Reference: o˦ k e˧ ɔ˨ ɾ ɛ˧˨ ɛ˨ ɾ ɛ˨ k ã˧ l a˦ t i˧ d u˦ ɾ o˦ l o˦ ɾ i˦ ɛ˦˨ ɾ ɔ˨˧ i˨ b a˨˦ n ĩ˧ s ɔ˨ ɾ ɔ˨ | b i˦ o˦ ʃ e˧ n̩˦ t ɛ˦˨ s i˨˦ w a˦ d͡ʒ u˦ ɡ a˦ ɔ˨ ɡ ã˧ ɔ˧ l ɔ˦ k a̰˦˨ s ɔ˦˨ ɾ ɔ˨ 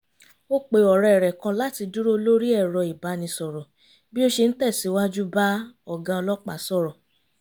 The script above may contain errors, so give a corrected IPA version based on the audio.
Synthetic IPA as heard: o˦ k͡p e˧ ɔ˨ ɾ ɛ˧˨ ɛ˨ ɾ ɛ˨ k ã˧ l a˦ t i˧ d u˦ ɾ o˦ l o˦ ɾ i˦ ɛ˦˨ ɾ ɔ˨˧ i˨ b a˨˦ n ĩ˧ s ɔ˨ ɾ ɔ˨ | b i˦ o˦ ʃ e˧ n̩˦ t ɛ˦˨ s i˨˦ w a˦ d͡ʒ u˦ b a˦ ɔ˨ ɡ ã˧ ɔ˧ l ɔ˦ k͡p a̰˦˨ s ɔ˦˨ ɾ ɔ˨

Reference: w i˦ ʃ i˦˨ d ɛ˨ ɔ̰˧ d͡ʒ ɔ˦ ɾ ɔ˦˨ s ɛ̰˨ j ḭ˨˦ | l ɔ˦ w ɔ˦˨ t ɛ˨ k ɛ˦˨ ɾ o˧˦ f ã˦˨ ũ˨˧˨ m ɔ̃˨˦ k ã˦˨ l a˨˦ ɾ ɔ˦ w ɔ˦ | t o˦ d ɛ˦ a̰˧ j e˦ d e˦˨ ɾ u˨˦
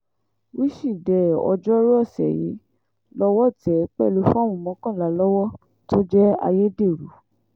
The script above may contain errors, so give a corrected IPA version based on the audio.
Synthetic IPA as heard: w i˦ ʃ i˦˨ d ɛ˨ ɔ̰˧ d͡ʒ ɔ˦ ɾ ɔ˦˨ s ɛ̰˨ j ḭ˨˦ | l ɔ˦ w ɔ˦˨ t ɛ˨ k͡p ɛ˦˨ l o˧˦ f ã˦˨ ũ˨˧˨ m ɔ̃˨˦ k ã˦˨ l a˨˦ l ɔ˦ w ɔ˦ | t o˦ d͡ʒ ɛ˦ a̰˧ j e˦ d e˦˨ ɾ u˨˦

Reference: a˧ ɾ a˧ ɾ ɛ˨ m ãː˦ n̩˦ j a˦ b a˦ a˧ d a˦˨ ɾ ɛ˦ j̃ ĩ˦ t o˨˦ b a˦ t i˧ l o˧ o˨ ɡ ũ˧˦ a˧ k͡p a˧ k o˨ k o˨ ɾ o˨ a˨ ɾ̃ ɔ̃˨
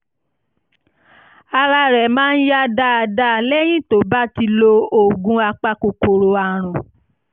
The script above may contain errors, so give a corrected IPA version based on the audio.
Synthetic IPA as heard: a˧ ɾ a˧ ɾ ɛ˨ m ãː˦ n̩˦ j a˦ d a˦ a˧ d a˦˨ l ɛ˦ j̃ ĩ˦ t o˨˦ b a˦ t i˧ l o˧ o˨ ɡ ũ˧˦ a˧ k͡p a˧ k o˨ k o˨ ɾ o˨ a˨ ɾ̃ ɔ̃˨

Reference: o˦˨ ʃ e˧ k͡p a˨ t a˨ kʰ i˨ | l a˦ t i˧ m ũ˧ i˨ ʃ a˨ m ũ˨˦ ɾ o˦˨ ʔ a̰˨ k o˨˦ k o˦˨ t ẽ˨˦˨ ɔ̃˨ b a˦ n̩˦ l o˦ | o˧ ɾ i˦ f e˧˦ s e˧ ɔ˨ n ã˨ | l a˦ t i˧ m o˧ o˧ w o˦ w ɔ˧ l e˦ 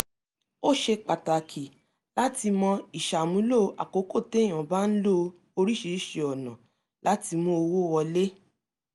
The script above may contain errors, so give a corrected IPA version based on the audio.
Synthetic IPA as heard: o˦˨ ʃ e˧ k͡p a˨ t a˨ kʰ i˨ | l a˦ t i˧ m ɔ̃˧ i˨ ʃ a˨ m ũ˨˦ l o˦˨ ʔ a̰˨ k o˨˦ k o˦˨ t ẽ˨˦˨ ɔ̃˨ b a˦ n̩˦ l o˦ | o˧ ɾ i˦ ʃ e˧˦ ʃ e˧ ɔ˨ n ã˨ | l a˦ t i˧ m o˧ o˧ w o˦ w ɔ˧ l e˦

